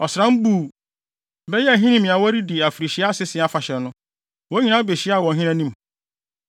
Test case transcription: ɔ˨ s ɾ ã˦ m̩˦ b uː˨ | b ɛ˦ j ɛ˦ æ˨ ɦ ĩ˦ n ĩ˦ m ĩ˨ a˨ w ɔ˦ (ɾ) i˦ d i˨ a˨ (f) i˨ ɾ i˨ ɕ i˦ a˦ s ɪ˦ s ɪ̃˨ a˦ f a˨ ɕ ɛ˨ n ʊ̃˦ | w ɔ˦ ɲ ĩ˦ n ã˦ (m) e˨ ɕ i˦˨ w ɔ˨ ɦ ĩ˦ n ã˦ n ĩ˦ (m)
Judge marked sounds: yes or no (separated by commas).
yes, yes, no, yes